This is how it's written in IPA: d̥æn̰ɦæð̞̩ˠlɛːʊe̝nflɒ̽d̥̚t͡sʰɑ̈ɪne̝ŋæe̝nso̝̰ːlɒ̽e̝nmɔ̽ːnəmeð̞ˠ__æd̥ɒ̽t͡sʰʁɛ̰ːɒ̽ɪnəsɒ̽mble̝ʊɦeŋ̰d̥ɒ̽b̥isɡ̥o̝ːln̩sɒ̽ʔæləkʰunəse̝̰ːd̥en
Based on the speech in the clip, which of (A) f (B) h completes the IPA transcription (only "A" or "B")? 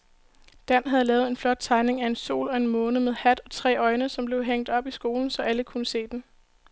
B